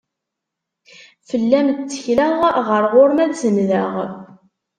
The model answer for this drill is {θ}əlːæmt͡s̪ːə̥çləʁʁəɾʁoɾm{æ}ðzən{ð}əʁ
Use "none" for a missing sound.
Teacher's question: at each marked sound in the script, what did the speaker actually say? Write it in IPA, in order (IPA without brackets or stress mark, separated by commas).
f, æ, ð